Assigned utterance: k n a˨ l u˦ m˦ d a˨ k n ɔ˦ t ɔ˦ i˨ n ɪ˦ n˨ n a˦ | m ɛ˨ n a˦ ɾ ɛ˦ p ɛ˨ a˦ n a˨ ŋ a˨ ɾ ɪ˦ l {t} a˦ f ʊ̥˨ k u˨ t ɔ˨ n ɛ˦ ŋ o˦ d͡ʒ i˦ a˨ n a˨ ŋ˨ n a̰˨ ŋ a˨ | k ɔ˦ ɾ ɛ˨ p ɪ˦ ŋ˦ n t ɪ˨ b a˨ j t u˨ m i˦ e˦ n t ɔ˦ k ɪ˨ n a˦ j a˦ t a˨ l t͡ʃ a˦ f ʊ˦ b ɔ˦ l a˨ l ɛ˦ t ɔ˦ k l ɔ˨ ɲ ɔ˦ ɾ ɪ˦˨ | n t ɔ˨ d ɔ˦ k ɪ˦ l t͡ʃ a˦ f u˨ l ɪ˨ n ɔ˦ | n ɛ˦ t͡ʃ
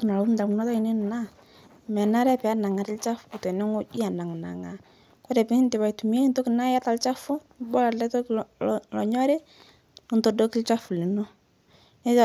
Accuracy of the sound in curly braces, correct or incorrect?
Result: incorrect